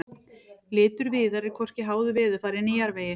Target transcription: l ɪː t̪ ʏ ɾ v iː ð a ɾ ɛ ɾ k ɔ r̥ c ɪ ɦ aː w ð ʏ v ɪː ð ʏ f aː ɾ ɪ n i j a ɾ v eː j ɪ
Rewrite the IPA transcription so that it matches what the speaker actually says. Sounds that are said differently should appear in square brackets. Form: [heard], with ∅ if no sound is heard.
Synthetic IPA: l ɪː t̪ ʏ ɾ v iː ð a ɾ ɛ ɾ [kʰ] ɔ r̥ c ɪ ɦ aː w ð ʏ v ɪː ð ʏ f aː ɾ ɪ n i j a ɾ v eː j ɪ